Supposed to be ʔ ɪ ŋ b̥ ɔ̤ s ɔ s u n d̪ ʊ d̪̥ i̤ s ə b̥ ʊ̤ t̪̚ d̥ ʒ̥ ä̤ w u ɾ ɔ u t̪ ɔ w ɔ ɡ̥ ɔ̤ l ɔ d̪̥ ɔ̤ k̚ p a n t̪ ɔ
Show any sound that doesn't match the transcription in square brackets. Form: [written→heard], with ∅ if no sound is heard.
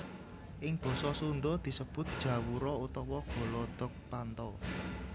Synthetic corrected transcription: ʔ ɪ ŋ b̥ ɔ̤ s ɔ s u n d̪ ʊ d̪̥ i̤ s ə b̥ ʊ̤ t̪̚ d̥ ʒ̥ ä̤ w u ɾ ɔ u t̪ ɔ w ɔ ɡ̥ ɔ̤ l ɔ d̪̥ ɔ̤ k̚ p a n t̪ ɔ